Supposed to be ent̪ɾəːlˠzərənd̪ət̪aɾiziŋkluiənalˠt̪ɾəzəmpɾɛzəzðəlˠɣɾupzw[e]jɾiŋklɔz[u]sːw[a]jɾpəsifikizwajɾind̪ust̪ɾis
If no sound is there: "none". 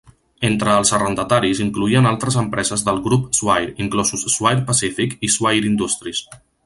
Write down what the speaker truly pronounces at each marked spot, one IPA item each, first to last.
a, u, a

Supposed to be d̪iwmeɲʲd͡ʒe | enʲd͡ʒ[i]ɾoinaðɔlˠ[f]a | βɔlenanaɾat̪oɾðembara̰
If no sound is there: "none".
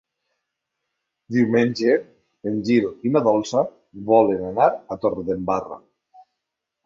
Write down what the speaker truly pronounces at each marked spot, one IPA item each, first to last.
i, s

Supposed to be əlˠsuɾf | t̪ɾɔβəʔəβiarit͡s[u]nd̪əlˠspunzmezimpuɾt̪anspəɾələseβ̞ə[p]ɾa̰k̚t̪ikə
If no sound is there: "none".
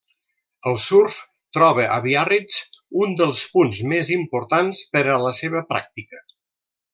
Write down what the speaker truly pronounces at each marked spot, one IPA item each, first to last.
u, p

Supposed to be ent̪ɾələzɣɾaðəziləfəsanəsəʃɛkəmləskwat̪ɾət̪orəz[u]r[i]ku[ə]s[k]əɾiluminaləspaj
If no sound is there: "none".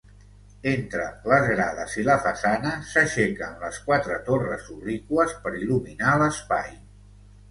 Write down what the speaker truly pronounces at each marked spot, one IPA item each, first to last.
u, i, ə, p

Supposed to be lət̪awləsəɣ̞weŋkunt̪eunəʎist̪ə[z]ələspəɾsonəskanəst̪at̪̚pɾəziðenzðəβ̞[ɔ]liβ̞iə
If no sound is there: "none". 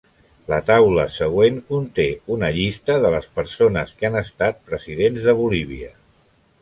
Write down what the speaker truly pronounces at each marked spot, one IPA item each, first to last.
ð, u

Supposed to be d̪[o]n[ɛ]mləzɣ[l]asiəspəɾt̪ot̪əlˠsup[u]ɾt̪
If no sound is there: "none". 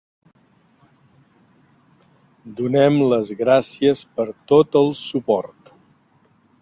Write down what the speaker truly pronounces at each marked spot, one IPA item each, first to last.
u, ɛ, ɾ, ɔ

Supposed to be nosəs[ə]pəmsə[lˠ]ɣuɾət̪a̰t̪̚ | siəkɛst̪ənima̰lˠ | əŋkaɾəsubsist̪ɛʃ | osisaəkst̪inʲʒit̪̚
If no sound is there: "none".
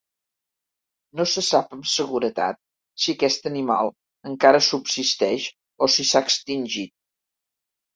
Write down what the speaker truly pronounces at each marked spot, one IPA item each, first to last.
a, none

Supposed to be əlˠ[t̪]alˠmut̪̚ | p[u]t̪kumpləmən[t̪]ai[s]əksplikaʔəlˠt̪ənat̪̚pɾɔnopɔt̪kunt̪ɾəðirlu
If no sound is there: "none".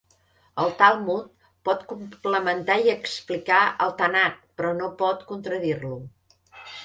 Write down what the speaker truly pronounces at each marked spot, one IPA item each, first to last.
t̪, ɔ, t̪, none

